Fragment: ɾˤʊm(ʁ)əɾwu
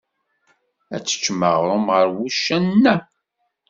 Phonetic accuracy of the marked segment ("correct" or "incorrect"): correct